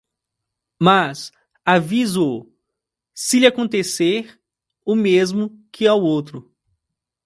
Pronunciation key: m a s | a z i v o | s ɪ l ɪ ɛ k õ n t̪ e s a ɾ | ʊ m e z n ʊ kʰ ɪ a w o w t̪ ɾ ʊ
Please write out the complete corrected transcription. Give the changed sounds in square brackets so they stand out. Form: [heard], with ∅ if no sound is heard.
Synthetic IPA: m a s | a [v] i [z] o | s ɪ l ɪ [a] k õ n t̪ e s [e] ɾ | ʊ m e z [m] ʊ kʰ ɪ a w o w t̪ ɾ ʊ